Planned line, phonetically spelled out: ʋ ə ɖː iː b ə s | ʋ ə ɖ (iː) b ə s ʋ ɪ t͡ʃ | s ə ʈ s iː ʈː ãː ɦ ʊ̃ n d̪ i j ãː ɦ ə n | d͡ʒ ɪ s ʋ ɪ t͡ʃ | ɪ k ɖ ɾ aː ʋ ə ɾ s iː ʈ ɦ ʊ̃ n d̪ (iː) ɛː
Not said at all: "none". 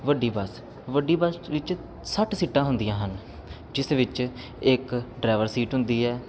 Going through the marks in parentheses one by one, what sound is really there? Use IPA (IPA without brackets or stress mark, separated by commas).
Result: iː, iː